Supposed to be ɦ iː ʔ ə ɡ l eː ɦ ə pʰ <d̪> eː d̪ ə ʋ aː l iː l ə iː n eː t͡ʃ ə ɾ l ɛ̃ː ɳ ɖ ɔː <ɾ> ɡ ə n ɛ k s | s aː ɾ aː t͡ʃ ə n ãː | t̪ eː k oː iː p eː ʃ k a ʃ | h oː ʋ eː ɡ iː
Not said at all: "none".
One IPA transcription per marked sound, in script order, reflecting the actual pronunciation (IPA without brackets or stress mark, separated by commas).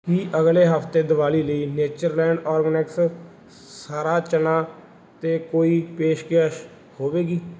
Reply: t̪, ɾ